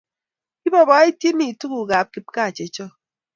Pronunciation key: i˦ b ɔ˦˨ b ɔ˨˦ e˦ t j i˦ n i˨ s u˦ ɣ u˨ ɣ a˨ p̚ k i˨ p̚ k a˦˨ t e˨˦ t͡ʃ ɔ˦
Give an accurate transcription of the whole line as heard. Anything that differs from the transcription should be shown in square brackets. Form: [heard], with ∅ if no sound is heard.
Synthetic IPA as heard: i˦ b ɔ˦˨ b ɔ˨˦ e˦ t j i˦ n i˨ [t] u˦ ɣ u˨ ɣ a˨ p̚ k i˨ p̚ k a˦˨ [t͡ʃ] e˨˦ t͡ʃ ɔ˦